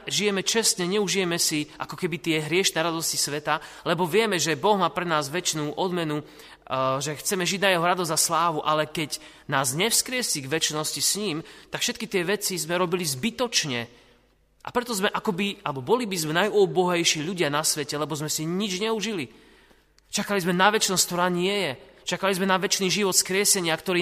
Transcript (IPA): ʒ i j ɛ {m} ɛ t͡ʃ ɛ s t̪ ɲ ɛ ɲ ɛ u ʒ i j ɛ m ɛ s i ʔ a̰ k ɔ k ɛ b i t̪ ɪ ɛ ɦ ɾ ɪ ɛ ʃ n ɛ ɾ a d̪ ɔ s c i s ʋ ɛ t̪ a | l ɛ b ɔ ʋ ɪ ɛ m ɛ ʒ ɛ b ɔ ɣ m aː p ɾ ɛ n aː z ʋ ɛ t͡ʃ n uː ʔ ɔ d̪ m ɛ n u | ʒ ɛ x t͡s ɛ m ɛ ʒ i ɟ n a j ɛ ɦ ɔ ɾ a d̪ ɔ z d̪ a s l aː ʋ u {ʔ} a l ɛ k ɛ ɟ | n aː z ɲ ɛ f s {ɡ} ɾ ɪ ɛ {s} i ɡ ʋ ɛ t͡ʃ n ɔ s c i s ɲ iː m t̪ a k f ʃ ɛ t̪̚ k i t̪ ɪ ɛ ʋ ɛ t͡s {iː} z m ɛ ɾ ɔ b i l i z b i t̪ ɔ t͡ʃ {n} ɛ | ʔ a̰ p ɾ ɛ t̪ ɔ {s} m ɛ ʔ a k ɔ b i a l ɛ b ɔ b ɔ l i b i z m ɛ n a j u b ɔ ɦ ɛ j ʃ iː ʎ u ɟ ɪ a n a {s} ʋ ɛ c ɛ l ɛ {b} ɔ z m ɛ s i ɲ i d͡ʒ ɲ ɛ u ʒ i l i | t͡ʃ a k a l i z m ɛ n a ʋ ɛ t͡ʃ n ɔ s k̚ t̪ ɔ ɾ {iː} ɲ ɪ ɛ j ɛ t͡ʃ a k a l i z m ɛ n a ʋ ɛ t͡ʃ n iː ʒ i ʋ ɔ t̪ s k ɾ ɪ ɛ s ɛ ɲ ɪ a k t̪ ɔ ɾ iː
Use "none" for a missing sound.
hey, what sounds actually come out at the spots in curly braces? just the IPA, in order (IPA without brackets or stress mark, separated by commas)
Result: m, ʔ, k, s, i, ɲ, z, s, b, aː